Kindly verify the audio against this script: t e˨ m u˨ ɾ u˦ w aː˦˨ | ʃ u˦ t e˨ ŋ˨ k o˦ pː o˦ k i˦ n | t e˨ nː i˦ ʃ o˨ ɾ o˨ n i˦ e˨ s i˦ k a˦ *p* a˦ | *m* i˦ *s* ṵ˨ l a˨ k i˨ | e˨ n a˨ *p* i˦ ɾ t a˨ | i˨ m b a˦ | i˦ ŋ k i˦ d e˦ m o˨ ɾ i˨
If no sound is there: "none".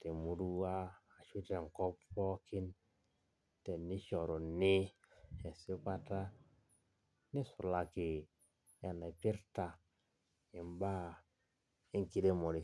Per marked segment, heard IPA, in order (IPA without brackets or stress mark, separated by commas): t, n, s, p